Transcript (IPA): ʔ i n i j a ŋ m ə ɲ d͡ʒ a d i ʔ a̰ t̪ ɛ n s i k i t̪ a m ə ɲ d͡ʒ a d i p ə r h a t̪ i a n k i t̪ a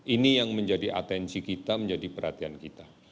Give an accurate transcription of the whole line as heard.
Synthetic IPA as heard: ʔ i n i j a ŋ m ə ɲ d͡ʒ a d i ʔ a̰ t̪ ɛ n s i k i t̪ a m ə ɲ d͡ʒ a d i p ə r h a t̪ i a n k i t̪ a